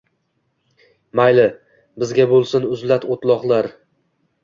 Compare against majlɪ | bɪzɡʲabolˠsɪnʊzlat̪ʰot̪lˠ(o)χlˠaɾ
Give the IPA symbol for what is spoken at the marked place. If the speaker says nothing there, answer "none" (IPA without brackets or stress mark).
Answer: ɒ